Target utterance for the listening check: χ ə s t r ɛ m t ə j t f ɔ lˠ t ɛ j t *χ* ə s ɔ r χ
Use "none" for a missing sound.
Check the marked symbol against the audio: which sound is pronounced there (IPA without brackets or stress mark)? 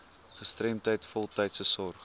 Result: s